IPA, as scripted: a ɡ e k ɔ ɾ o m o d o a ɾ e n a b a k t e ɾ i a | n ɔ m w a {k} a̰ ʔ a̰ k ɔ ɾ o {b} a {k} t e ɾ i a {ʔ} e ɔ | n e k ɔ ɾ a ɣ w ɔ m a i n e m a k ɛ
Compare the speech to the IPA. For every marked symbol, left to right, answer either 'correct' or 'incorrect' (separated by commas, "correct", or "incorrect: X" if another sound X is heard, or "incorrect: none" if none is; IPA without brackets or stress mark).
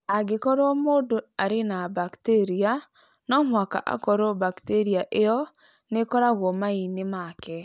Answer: correct, correct, correct, correct